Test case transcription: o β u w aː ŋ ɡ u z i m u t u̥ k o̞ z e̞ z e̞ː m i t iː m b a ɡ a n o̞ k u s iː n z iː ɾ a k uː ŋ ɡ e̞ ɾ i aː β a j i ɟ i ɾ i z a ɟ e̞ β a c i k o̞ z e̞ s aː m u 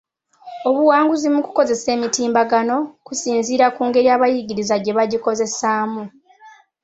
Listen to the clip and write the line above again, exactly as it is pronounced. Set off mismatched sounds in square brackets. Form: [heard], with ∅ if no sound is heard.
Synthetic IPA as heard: o β u w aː ŋ ɡ u z i m u [k] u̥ k o̞ z e̞ [s] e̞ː m i t iː m b a ɡ a n o̞ k u s iː n z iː ɾ a k uː ŋ ɡ e̞ ɾ i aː β a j i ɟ i ɾ i z a ɟ e̞ β a [ɟ] i k o̞ z e̞ s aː m u